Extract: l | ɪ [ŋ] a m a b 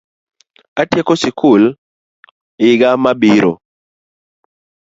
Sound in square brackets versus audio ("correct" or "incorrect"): incorrect